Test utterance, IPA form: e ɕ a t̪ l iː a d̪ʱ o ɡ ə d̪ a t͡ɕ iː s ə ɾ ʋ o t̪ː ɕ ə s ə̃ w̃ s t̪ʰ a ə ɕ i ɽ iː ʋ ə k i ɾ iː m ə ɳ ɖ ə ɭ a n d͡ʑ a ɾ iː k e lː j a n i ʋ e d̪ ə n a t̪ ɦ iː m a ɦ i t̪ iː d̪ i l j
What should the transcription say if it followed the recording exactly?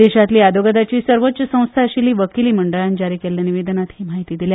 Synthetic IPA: e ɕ a t̪ l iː a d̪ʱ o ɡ ə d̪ a t͡ɕ iː s ə ɾ ʋ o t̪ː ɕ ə s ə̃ w̃ s t̪ʰ a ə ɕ i l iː ʋ ə k i l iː m ə ɳ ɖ ə ɭ a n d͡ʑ a ɾ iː k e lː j a n i ʋ e d̪ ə n a t̪ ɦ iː m a ɦ i t̪ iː d̪ i l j